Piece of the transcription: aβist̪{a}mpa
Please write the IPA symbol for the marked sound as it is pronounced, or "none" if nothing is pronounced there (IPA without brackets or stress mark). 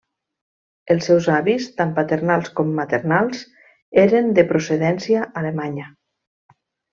a